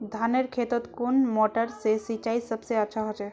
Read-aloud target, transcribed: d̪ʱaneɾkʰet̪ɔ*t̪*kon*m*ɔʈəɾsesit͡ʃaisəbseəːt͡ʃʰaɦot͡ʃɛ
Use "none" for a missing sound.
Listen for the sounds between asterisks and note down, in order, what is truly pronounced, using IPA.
t̪, m

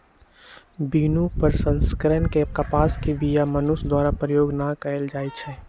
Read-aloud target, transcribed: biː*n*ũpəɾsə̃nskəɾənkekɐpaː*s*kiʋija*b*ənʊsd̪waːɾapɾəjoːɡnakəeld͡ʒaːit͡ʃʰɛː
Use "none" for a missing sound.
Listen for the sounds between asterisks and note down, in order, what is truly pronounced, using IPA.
n, s, m

